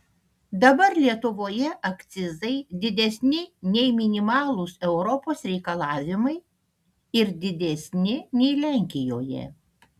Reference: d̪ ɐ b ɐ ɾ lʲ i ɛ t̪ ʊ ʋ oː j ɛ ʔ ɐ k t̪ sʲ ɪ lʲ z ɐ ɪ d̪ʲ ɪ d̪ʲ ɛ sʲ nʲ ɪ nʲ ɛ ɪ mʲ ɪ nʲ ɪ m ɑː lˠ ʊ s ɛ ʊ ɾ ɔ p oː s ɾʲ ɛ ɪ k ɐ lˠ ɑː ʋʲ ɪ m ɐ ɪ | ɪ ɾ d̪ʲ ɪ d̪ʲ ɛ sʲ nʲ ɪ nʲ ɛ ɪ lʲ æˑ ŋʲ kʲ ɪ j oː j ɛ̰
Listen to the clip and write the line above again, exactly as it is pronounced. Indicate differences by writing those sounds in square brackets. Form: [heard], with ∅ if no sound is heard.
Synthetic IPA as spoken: d̪ ɐ b ɐ ɾ lʲ i ɛ t̪ ʊ ʋ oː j ɛ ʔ ɐ k t̪ sʲ ɪ [∅] z ɐ ɪ d̪ʲ ɪ d̪ʲ ɛ sʲ nʲ ɪ nʲ ɛ ɪ mʲ ɪ nʲ ɪ m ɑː lˠ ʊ s ɛ ʊ ɾ ɔ p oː s ɾʲ ɛ ɪ k ɐ lˠ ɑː ʋʲ ɪ m ɐ ɪ | ɪ ɾ d̪ʲ ɪ d̪ʲ ɛ sʲ nʲ ɪ nʲ ɛ ɪ lʲ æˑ ŋʲ kʲ ɪ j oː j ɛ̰